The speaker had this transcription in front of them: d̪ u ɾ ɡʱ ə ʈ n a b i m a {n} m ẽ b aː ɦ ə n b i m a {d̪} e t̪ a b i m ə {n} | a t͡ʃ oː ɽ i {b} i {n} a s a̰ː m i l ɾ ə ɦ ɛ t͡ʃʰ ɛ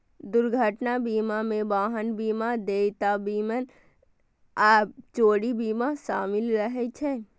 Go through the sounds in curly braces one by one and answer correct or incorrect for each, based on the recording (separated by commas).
incorrect, correct, correct, correct, incorrect